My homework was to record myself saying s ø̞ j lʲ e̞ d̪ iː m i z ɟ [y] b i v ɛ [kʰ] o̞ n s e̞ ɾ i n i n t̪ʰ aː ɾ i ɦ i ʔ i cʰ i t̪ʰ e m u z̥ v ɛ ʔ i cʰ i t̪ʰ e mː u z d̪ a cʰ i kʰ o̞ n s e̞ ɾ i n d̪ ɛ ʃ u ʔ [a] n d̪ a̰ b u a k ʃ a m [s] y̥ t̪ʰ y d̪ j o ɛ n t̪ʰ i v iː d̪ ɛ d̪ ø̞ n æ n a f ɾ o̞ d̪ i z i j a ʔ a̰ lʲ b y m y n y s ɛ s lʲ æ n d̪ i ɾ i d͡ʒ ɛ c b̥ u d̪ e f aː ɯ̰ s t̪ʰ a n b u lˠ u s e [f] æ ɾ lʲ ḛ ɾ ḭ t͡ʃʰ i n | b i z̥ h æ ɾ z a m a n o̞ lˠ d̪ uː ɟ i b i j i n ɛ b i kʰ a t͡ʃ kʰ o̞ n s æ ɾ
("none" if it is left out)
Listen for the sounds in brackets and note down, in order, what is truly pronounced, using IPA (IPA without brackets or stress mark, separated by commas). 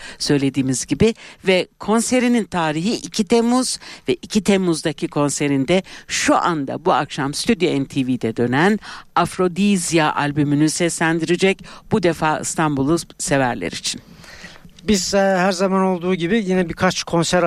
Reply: i, kʰ, a, s, v